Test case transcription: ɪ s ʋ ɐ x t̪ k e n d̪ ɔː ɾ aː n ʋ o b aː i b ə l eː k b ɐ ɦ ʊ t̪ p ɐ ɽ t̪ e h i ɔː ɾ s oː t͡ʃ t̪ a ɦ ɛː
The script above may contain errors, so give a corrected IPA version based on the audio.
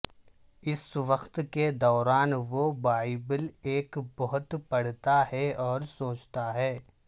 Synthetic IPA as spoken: ɪ s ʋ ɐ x t̪ k e d̪ ɔː ɾ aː n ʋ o b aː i b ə l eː k b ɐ ɦ ʊ t̪ p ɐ ɽ t̪ a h ɛ ɔː ɾ s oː t͡ʃ t̪ a ɦ ɛː

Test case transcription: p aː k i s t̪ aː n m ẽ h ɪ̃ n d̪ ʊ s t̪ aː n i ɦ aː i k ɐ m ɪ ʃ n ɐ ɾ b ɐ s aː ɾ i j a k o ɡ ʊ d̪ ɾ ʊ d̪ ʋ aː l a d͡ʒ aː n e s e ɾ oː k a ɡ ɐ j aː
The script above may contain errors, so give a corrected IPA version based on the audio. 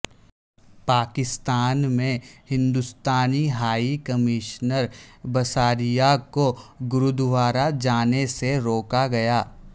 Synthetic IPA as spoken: p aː k ɪ s t̪ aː n m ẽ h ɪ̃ n d̪ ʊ s t̪ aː n i ɦ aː i k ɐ m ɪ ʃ n ə ɾ b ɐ s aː ɾ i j a k o ɡ ʊ ɾ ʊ d̪ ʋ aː ɾ a d͡ʒ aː n e s e ɾ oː k a ɡ ɐ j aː

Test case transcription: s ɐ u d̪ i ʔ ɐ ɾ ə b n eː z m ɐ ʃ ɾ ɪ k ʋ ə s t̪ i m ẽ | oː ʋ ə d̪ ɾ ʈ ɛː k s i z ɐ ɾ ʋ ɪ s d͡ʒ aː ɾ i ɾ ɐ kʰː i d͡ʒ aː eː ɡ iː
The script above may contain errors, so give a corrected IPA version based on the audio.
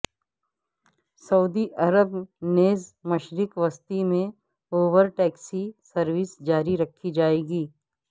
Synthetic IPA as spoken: s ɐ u d̪ i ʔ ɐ ɾ ə b n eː z m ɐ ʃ ɾ ɪ k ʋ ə s t̪ i m ẽ | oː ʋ ə ɾ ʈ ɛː k s i s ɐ ɾ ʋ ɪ s d͡ʒ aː ɾ i ɾ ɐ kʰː i d͡ʒ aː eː ɡ iː

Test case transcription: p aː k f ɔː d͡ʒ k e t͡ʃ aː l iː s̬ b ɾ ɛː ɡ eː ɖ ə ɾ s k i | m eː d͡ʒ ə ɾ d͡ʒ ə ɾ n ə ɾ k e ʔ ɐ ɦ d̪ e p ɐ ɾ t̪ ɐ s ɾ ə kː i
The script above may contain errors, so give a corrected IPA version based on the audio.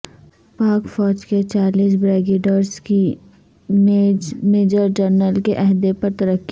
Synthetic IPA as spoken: p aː k f ɔː d͡ʒ k e t͡ʃ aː l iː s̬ b ɾ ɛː ɡ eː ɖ ə ɾ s k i | m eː d͡ʒ ə ɾ d͡ʒ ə ɾ n ə l k e ʔ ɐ ɦ d̪ e p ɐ ɾ t̪ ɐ ɾ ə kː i

